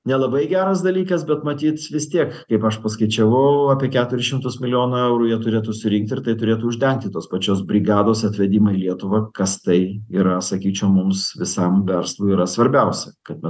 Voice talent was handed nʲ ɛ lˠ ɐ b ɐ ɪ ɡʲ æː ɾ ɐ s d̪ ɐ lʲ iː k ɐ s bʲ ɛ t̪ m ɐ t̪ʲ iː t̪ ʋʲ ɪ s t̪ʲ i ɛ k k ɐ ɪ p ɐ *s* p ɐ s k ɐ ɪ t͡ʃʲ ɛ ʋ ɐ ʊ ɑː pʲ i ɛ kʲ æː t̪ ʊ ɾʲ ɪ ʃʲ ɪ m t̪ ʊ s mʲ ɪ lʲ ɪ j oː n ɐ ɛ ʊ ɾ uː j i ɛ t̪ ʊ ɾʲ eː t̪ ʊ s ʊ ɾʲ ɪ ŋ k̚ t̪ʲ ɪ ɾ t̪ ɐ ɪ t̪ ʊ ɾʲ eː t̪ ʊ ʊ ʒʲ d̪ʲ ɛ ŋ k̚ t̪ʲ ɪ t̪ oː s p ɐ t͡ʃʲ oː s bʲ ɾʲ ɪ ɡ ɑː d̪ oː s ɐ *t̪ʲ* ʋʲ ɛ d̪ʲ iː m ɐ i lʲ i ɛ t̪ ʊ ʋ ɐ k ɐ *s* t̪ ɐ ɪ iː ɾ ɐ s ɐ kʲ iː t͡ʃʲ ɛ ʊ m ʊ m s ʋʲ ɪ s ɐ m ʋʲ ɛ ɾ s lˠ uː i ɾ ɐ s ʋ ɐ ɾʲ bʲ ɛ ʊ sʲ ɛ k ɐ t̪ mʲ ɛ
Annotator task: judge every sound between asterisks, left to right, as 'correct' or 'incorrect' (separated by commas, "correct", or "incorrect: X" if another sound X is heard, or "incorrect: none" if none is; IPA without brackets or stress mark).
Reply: incorrect: ʃ, correct, correct